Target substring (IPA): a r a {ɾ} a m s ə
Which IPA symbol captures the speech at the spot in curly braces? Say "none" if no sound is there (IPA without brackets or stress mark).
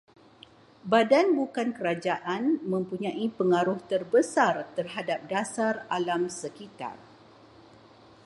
l